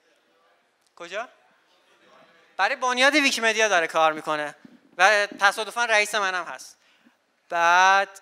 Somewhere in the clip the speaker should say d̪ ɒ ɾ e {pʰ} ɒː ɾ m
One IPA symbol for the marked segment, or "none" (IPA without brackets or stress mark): kʰ